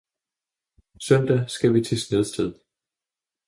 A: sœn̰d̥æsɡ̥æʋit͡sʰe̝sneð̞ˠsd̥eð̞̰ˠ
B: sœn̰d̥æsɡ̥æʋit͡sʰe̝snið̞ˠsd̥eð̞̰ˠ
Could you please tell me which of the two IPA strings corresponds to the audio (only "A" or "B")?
A